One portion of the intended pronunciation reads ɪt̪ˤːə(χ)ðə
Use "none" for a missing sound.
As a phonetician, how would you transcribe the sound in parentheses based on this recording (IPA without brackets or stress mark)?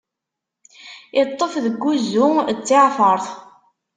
f